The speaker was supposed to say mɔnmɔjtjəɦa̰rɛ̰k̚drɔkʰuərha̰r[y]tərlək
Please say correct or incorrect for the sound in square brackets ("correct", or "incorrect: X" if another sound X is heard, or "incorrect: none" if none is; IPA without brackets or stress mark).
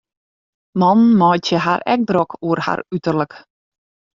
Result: correct